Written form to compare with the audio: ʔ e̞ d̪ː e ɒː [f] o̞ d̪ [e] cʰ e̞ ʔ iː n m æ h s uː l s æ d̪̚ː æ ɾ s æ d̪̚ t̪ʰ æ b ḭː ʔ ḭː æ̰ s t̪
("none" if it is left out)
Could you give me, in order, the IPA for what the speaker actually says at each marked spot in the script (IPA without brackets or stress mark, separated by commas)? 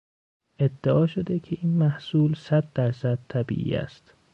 ʃ, e